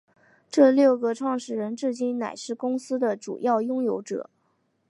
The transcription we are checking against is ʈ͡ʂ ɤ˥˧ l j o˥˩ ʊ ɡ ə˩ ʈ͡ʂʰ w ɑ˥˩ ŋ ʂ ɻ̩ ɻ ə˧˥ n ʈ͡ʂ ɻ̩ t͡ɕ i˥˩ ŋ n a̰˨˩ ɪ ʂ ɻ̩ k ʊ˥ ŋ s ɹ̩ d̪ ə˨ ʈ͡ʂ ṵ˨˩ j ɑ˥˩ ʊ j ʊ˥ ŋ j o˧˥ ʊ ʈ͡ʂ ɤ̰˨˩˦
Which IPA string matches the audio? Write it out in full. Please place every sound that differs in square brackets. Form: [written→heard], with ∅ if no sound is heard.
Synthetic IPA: ʈ͡ʂ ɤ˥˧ l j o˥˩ ʊ ɡ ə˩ ʈ͡ʂʰ w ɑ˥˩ ŋ ʂ ɻ̩ ɻ ə˧˥ n ʈ͡ʂ ɻ̩ t͡ɕ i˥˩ [ŋ→n] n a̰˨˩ ɪ ʂ ɻ̩ k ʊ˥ ŋ s ɹ̩ d̪ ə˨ ʈ͡ʂ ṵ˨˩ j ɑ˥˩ ʊ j ʊ˥ ŋ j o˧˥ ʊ ʈ͡ʂ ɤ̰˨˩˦